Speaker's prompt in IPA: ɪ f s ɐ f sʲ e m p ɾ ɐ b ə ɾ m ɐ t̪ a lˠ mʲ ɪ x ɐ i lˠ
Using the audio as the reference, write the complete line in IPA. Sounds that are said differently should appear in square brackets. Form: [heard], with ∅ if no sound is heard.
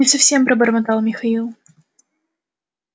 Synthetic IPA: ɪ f s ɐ f sʲ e m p ɾ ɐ b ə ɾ m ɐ t̪ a lˠ mʲ ɪ x ɐ i lˠ

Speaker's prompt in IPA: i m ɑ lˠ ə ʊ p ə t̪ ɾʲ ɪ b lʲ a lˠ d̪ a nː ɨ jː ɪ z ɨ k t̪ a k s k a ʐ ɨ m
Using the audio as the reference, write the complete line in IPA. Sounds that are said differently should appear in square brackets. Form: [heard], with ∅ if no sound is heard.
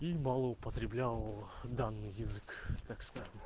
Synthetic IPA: i m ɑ lˠ ə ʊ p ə t̪ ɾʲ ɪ b lʲ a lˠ d̪ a nː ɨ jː ɪ z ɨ k t̪ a k s k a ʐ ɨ m

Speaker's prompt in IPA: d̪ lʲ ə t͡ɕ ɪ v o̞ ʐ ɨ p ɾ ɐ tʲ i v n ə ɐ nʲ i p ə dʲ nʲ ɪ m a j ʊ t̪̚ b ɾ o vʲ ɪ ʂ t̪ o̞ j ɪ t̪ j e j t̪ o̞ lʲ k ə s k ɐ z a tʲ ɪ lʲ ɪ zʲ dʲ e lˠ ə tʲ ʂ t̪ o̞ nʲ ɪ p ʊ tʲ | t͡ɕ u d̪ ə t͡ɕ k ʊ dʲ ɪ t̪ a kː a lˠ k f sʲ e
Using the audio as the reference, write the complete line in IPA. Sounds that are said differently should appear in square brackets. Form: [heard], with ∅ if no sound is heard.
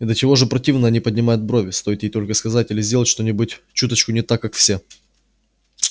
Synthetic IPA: d̪ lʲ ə t͡ɕ ɪ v o̞ ʐ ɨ p ɾ ɐ tʲ i v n ə ɐ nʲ i p ə dʲ nʲ ɪ m a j ʊ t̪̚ b ɾ o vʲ ɪ [s] t̪ o̞ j ɪ t̪ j e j t̪ o̞ lʲ k ə s k ɐ z a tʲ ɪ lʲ ɪ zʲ dʲ e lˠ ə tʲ ʂ t̪ o̞ nʲ ɪ [b] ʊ tʲ | t͡ɕ u [t̪] ə t͡ɕ k ʊ [nʲ] ɪ t̪ a kː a [∅] k f sʲ e

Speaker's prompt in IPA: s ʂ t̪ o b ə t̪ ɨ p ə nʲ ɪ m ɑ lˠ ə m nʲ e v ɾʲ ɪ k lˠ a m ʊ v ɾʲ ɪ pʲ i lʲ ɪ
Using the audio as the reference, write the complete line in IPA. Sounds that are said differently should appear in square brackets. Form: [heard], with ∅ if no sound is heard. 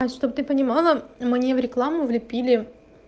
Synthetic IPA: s ʂ t̪ o b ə t̪ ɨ p ə nʲ ɪ m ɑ lˠ ə m nʲ e v ɾʲ ɪ k lˠ a m ʊ v [lʲ] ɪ pʲ i lʲ ɪ

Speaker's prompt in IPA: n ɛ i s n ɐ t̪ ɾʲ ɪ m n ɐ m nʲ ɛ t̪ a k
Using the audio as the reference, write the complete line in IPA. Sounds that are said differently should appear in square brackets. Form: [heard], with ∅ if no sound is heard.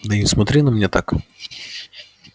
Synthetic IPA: n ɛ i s [m] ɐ t̪ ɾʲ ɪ [∅] n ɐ m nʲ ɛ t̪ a k

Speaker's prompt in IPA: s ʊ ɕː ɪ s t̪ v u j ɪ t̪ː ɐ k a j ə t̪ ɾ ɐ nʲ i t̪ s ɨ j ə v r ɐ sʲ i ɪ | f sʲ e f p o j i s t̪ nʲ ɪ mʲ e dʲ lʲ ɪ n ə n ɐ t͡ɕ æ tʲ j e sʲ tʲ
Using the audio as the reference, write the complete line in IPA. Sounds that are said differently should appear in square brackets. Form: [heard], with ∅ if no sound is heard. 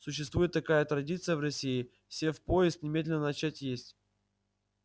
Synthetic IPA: s ʊ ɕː ɪ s t̪ v u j ɪ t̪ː ɐ k a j ə t̪ ɾ ɐ [dʲ] i t̪ s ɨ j ə v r ɐ sʲ i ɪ | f sʲ e f p o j [ɪ] s t̪ nʲ ɪ mʲ e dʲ lʲ ɪ n ə n ɐ t͡ɕ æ tʲ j e sʲ tʲ

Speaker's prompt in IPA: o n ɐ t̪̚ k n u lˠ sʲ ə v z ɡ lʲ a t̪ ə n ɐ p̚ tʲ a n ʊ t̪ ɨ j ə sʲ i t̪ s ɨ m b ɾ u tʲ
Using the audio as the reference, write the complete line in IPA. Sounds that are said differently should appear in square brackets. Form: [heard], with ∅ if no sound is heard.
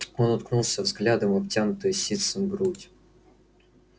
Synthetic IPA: o n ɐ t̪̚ k n u lˠ sʲ ə v z ɡ lʲ a [d̪] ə [m] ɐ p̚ tʲ a n ʊ t̪ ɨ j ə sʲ i t̪ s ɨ m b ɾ u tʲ

